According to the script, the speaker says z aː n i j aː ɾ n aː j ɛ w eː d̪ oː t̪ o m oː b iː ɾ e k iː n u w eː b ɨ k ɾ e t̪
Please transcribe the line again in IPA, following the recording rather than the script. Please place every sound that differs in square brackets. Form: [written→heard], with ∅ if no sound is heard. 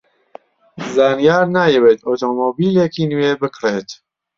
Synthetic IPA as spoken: z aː n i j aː ɾ n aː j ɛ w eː [d̪→t̪] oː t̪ o m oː b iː [ɾ→l] e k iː n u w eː b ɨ k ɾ e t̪